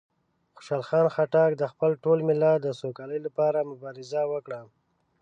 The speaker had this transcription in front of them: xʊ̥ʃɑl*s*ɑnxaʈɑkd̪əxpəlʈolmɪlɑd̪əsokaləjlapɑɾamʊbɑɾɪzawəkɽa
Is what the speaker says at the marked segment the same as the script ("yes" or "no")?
no